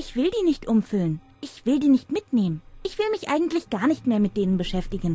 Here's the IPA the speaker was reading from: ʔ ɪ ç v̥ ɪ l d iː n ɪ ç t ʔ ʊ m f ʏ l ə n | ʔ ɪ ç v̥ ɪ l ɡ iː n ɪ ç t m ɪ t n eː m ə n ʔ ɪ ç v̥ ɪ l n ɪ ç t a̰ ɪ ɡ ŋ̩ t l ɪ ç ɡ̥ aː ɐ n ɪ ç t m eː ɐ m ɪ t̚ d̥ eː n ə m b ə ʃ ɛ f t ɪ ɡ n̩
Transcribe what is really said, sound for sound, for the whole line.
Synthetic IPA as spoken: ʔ ɪ ç v̥ ɪ l d iː n ɪ ç t ʔ ʊ m f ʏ l ə n | ʔ ɪ ç v̥ ɪ l d iː n ɪ ç t m ɪ t n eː m ə n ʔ ɪ ç v̥ ɪ l m ɪ ç ʔ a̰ ɪ ɡ ŋ̩ t l ɪ ç ɡ̥ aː ɐ n ɪ ç t m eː ɐ m ɪ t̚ d̥ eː n ə n b ə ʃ ɛ f t ɪ ɡ n̩